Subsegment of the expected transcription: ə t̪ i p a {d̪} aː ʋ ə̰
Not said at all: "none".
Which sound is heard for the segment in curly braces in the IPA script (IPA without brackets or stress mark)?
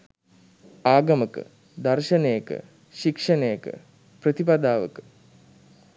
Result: d̪